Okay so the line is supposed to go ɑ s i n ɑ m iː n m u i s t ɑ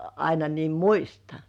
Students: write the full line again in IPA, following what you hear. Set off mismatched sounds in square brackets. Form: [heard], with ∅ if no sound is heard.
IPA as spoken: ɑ [∅] i n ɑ [n] iː [m] m u i s t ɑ